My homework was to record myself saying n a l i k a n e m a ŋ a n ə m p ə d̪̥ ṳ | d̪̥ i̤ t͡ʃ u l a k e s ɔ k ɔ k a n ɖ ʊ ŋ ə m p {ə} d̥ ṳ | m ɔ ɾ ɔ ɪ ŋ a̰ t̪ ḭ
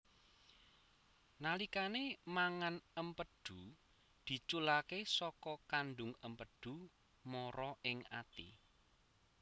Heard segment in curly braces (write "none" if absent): ə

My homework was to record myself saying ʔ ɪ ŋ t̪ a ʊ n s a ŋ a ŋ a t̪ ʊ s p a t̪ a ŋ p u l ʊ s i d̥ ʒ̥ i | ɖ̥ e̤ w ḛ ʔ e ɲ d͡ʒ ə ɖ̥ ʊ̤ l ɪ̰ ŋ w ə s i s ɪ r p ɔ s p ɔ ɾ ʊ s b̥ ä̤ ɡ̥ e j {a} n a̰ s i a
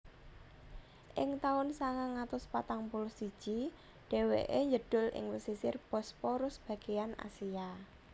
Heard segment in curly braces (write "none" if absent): a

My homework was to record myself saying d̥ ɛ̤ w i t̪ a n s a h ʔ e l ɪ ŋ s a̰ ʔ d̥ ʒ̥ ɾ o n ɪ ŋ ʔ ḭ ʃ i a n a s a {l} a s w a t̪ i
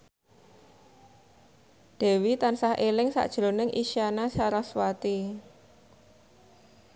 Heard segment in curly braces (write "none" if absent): ɾ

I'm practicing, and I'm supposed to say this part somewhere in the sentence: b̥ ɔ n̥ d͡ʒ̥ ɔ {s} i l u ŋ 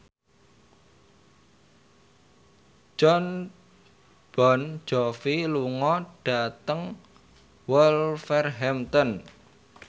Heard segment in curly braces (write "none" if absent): f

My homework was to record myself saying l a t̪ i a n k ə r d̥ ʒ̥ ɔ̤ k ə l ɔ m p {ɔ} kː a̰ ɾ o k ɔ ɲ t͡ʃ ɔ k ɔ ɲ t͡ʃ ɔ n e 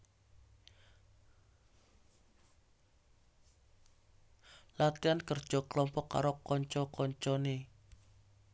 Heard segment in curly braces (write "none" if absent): ɔ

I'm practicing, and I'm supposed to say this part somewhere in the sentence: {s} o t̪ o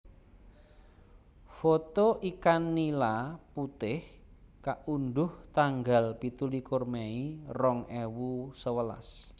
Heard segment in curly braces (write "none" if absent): f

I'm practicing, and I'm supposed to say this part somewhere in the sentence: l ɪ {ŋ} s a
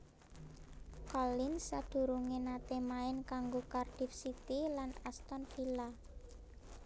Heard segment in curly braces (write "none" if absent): n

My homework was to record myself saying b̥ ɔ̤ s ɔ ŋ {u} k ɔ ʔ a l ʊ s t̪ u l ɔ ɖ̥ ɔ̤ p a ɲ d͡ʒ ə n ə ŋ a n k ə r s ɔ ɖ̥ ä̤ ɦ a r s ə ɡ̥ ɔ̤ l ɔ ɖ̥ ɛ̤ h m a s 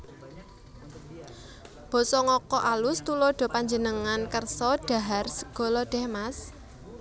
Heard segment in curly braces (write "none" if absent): ɔ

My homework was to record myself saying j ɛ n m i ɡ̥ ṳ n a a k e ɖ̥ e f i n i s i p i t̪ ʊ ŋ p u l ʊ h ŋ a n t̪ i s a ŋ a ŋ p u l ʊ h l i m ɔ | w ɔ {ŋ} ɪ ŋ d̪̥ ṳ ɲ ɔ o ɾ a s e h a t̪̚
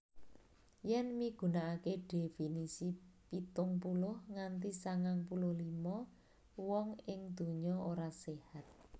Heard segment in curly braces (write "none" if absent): ŋ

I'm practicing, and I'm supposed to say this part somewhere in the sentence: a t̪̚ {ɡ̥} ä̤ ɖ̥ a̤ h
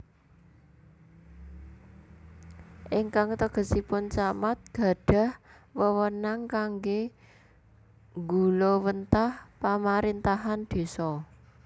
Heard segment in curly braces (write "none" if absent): ɡ̥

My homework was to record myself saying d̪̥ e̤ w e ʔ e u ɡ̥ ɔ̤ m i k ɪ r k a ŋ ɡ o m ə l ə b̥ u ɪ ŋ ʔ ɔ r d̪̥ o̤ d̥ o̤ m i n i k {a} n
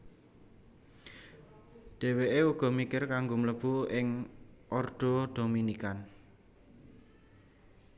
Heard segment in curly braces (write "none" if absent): a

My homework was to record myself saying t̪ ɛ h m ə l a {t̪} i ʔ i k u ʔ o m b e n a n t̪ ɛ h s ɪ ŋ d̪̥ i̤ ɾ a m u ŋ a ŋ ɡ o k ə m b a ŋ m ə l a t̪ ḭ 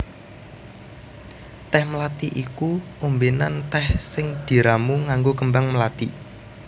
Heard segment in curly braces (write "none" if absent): t̪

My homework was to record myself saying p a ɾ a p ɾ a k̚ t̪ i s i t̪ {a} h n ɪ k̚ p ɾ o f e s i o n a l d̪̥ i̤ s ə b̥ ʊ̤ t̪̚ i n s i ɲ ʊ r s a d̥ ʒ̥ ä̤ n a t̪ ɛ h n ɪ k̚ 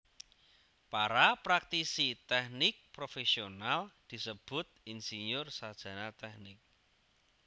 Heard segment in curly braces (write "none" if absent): ɛ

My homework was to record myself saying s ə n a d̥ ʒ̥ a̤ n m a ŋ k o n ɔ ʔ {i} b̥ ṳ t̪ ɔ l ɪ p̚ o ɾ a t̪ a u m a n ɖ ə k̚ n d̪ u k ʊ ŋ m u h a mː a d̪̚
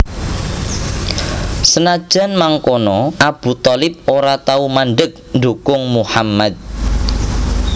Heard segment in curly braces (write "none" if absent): a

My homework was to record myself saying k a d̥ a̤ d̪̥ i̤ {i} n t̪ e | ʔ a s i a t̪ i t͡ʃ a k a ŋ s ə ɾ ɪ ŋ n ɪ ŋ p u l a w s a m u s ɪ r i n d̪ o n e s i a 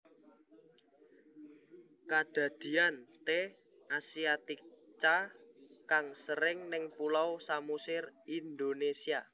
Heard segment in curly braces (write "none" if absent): a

